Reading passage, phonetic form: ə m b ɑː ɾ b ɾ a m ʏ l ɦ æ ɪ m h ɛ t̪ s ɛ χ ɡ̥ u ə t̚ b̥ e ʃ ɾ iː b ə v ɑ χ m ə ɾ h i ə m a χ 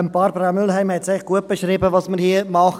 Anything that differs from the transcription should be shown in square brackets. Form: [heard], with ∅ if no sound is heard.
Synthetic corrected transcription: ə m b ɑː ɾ b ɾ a m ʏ l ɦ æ ɪ m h ɛ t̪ s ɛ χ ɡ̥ u ə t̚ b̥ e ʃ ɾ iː b ə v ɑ [s] m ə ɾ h i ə m [ɑ] χ